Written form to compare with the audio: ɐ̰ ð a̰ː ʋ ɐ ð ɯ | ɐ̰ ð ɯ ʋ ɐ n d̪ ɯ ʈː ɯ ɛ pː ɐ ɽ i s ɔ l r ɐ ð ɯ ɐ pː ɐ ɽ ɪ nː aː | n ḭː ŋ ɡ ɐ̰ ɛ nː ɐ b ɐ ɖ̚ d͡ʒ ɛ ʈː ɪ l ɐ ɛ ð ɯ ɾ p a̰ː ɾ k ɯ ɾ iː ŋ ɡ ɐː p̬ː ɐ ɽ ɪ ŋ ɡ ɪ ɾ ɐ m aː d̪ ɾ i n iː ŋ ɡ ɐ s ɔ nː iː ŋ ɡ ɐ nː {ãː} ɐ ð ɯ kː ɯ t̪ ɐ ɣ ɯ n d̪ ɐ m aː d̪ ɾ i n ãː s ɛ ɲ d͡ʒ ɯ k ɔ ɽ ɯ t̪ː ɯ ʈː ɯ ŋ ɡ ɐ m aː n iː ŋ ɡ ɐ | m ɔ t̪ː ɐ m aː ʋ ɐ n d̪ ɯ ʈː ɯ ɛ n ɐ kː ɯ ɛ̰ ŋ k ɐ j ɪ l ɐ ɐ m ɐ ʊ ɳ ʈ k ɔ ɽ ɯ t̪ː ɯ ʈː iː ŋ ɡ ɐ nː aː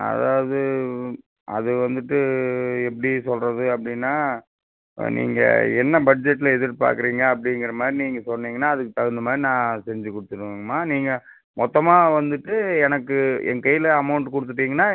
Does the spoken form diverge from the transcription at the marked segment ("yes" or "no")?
yes